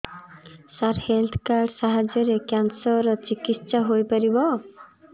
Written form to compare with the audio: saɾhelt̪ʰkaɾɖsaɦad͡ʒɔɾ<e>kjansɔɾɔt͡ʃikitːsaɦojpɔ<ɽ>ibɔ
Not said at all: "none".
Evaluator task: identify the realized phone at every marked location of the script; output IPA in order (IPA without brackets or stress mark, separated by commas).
e, ɾ